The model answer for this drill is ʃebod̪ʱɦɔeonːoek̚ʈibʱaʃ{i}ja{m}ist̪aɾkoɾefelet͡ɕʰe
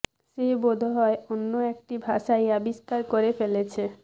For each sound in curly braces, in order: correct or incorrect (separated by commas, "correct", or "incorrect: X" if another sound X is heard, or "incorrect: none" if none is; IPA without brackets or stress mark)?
incorrect: a, incorrect: b